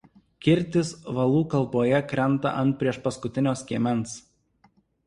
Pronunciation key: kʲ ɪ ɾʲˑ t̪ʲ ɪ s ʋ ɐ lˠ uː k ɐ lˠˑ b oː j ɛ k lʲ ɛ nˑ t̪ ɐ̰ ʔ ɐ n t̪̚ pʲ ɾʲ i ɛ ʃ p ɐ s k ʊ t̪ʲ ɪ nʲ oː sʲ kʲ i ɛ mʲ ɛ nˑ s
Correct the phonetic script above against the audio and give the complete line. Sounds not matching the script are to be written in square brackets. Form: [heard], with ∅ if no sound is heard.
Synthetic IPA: kʲ ɪ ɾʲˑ t̪ʲ ɪ s ʋ ɐ lˠ uː k ɐ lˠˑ b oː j ɛ k [ɾʲ] ɛ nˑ t̪ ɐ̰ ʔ ɐ n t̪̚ pʲ ɾʲ i ɛ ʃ p ɐ s k ʊ t̪ʲ ɪ nʲ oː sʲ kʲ i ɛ mʲ ɛ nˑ s